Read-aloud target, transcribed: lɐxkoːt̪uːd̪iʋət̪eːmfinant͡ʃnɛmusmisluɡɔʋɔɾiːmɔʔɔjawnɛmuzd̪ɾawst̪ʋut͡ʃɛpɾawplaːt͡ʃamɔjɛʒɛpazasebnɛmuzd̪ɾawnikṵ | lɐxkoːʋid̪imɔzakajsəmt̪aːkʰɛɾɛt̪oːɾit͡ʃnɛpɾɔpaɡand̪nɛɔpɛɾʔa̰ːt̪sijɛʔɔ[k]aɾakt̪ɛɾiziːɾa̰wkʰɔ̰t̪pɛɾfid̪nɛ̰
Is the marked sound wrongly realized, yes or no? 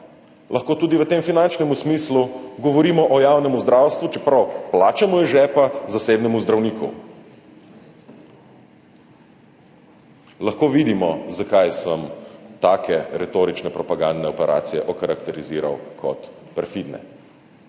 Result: no